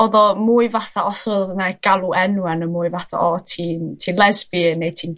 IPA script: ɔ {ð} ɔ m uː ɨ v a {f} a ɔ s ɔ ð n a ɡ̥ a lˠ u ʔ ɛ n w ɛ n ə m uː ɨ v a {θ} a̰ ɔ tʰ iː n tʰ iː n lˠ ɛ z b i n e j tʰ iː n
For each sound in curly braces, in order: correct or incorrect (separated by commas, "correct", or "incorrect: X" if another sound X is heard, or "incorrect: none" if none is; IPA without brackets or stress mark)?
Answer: correct, incorrect: θ, correct